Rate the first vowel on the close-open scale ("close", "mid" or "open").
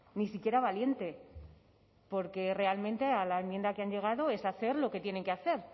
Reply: close